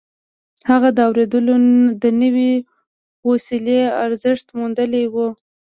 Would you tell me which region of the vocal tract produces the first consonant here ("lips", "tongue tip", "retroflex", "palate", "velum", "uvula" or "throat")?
throat